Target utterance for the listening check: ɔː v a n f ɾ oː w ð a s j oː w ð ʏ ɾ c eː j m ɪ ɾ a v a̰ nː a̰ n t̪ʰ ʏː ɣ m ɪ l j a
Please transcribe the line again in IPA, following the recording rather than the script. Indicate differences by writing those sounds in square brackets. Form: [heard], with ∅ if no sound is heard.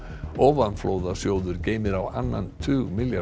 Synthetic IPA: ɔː v a n f [l] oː w ð a s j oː w ð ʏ ɾ c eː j m ɪ ɾ a [w] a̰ nː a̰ n t̪ʰ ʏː ɣ m ɪ l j a